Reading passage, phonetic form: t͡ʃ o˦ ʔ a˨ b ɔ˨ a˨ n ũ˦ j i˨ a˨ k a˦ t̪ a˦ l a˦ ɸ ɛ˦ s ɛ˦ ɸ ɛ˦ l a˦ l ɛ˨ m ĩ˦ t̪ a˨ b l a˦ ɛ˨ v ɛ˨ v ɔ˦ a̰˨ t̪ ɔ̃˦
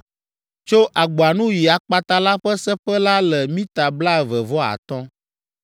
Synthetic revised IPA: t͡ʃ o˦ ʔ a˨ ɡ͡b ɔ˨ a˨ n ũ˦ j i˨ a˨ k͡p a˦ t̪ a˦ l a˦ ɸ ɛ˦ s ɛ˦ ɸ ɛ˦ l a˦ l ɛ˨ m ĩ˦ t̪ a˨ b l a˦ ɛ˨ v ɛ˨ v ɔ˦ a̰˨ t̪ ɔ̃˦